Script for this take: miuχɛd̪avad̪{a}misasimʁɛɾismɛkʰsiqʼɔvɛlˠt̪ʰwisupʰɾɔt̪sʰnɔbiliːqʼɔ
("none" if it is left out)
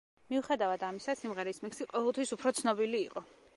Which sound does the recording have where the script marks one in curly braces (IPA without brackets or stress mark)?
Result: a